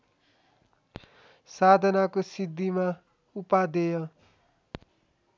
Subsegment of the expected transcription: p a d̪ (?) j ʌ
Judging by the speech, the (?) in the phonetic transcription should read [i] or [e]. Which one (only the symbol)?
e